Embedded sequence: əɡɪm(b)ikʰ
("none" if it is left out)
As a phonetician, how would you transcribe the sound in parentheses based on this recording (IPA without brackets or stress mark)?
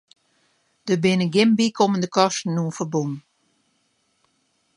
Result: b